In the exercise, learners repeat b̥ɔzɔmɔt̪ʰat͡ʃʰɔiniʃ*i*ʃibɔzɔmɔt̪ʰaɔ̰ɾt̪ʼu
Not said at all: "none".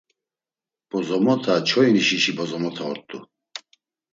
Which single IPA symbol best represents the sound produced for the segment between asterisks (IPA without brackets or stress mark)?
i